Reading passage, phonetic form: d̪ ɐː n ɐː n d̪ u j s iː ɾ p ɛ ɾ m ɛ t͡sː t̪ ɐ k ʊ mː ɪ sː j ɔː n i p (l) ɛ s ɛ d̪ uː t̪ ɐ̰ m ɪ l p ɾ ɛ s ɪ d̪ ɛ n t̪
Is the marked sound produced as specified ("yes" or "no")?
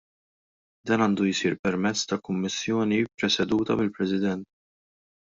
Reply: no